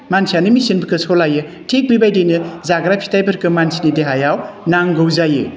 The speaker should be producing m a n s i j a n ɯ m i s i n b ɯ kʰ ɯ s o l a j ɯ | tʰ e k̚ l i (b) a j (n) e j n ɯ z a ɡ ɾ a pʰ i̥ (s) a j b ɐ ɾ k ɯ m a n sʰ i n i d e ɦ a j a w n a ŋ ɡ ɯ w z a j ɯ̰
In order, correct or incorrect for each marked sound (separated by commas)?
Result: correct, incorrect, incorrect